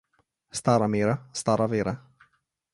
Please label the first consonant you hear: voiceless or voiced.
voiceless